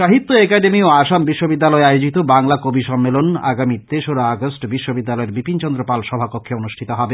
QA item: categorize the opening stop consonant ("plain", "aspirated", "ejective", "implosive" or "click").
plain